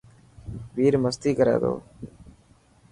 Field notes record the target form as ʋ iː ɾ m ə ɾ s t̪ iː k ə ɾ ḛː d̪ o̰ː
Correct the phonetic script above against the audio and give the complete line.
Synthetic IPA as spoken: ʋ iː ɾ m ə s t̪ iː k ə ɾ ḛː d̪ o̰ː